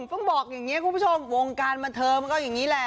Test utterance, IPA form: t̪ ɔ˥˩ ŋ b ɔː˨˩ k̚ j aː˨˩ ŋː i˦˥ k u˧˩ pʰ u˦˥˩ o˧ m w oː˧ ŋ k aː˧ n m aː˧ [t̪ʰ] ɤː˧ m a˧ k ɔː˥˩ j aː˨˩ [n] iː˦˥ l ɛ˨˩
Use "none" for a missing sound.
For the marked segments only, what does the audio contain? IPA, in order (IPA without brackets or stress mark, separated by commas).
t̪ʰ, ŋ